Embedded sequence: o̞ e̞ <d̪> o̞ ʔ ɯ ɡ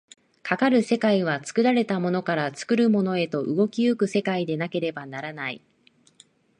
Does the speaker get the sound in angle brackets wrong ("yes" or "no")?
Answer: yes